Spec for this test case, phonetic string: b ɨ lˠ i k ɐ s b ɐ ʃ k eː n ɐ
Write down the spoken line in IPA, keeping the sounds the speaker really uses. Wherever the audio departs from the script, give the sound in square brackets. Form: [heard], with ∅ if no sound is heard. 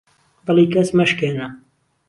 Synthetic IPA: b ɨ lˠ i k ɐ s [m] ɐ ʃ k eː n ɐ